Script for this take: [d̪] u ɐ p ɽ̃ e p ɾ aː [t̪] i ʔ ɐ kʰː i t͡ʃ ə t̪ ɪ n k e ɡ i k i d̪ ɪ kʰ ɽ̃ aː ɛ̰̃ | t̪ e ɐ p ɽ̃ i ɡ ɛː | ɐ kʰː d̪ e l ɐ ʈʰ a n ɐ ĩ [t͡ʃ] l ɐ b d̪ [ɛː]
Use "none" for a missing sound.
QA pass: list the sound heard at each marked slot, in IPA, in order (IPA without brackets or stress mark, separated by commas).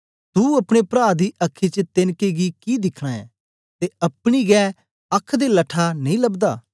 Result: t̪, d̪, none, aː